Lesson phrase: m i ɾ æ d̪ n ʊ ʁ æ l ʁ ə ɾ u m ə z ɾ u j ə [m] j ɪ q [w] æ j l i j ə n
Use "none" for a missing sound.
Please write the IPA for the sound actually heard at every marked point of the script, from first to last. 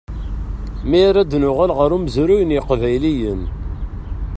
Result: n, v

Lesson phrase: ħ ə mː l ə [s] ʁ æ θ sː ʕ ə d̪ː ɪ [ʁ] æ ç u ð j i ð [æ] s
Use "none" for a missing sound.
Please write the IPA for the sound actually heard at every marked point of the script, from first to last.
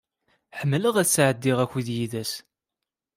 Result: none, ʁ, æ

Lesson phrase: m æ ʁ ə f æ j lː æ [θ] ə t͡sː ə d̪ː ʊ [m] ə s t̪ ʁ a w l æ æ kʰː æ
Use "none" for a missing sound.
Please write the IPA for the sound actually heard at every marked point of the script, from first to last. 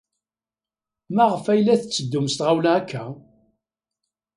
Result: θ, m

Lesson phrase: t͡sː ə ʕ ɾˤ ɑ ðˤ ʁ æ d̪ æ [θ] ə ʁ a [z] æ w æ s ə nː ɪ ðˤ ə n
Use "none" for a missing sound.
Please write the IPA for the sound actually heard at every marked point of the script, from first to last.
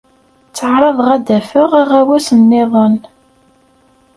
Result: f, ʁ

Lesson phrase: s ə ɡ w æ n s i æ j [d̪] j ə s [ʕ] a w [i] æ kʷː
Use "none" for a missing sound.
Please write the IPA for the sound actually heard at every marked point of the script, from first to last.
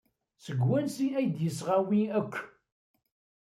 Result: d̪, ʁ, i

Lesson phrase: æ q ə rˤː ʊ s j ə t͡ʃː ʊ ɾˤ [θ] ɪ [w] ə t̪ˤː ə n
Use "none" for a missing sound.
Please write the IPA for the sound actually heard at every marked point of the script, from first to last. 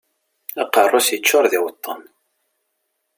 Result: ð, w

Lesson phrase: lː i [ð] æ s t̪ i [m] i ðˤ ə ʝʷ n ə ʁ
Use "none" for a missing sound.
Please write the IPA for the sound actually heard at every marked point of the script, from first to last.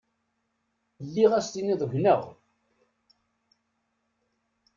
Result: ʁ, n

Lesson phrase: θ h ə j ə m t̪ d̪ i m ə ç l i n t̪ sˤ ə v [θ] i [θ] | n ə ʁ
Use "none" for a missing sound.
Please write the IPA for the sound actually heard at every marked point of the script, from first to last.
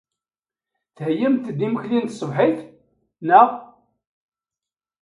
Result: ħ, θ

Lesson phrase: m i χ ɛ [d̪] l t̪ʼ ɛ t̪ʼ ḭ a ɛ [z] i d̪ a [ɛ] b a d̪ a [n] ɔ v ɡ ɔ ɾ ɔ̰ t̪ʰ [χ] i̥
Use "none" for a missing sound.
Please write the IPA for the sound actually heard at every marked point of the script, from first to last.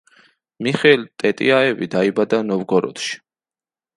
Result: none, v, i, n, ʃ

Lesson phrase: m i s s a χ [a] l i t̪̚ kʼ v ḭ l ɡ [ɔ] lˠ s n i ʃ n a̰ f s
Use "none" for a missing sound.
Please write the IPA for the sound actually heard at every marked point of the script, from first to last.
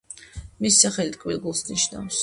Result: ɛ, u

